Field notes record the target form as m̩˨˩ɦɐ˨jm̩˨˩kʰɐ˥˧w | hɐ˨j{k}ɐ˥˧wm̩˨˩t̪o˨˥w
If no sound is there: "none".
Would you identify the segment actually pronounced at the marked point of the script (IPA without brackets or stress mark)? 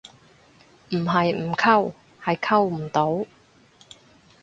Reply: kʰ